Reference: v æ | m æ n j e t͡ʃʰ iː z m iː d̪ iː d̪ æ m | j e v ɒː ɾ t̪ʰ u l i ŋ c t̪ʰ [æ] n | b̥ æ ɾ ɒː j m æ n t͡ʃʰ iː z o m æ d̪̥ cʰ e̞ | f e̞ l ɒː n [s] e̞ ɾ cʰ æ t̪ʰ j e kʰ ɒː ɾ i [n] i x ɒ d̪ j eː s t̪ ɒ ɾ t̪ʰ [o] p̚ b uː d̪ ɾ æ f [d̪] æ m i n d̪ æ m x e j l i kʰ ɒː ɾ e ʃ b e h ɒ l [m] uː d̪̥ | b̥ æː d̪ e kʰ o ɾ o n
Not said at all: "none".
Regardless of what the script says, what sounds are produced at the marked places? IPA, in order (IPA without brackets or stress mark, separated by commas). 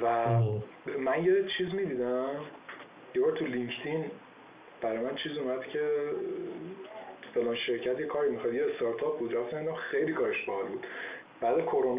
i, ʃ, m, ɒ, t̪, b